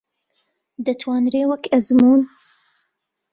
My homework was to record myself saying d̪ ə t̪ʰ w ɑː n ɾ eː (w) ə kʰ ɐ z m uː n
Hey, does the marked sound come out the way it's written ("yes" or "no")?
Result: yes